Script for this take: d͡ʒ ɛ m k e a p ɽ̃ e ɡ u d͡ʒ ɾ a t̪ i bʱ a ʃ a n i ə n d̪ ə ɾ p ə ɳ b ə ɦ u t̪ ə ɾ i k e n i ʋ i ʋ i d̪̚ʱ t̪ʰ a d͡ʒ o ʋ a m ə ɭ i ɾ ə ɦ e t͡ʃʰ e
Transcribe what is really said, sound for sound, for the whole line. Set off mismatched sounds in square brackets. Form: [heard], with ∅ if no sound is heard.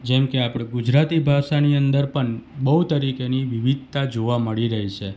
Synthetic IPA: d͡ʒ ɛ m k e a p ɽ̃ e ɡ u d͡ʒ ɾ a t̪ i bʱ a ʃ a n i ə n d̪ ə ɾ p ə ɳ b ə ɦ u t̪ ə ɾ i k e n i ʋ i ʋ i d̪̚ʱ [t̪] a d͡ʒ o ʋ a m ə ɭ i ɾ ə ɦ [i] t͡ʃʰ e